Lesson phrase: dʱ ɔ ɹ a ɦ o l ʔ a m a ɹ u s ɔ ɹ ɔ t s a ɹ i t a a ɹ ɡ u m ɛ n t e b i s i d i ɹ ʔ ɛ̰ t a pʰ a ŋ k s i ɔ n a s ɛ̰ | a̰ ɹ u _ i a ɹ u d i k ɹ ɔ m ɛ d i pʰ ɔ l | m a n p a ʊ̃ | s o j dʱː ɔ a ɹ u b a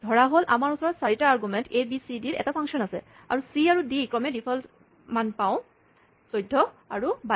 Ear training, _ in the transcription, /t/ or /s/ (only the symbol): s